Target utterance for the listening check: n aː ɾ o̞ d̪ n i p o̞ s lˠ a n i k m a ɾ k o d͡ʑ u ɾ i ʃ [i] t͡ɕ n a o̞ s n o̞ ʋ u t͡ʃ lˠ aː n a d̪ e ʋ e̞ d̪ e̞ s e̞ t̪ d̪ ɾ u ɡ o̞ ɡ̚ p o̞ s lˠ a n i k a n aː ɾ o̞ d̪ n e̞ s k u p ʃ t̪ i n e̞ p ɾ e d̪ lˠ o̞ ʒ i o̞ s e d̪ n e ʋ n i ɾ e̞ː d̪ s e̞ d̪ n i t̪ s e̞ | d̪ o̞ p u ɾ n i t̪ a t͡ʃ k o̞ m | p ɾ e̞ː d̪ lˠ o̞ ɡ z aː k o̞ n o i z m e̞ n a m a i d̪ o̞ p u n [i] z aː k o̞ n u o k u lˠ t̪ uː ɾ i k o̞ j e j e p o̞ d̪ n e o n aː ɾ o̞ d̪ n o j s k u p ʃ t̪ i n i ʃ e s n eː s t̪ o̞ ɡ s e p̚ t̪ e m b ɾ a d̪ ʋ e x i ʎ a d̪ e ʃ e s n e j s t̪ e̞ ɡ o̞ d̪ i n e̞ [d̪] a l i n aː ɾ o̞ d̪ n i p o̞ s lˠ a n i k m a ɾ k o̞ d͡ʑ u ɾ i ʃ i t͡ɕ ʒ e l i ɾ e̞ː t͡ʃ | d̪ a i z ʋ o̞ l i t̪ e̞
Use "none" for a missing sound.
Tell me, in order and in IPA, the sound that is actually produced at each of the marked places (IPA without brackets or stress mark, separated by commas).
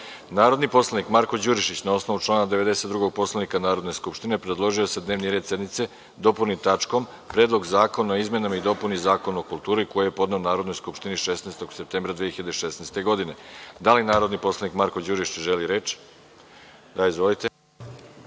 i, i, d̪